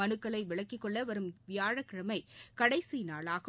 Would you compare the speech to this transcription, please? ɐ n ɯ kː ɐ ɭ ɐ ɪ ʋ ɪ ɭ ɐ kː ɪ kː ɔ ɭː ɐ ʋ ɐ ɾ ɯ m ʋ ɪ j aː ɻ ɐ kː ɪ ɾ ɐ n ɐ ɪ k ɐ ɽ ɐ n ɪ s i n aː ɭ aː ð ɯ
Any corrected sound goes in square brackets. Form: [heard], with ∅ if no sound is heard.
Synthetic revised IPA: ɐ n ɯ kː ɐ ɭ ɐ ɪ ʋ ɪ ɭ ɐ kː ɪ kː ɔ ɭː ɐ ʋ ɐ ɾ ɯ m ʋ ɪ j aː ɻ ɐ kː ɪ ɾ ɐ [m] ɐ ɪ k ɐ ɽ ɐ [∅] ɪ s i n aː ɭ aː [ɣ] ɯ